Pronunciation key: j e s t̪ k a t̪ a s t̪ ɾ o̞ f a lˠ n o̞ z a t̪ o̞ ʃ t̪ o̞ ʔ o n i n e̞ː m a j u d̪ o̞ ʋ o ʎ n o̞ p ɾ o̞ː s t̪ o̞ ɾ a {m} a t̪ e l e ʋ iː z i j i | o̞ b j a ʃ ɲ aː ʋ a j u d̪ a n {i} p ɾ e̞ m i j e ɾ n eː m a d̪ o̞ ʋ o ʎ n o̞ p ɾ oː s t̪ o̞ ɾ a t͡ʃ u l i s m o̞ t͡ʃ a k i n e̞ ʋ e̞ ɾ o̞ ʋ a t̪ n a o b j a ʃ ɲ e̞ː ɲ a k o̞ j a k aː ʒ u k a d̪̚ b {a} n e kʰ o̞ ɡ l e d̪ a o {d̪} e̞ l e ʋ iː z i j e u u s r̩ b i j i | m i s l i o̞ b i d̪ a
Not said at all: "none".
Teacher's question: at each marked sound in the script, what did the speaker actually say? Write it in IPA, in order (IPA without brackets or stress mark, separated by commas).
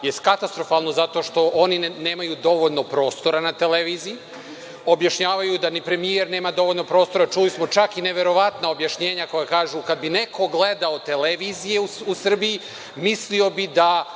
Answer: n, i, i, t̪